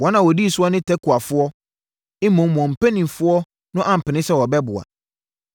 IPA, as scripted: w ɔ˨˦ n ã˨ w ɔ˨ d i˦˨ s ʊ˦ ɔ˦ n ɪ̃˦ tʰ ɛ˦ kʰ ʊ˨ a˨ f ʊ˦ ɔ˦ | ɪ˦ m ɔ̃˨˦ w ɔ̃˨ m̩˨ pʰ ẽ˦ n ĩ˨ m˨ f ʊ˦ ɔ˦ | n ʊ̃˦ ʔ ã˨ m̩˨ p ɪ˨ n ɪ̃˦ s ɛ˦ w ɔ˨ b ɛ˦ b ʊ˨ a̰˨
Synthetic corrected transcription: w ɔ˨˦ n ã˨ w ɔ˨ d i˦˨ s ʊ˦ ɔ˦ n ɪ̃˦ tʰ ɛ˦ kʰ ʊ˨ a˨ f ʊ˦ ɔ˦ | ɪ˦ m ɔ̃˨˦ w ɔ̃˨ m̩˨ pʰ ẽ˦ n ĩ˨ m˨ f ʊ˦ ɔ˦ | n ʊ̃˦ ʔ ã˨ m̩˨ p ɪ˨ n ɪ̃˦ s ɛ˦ w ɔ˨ b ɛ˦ b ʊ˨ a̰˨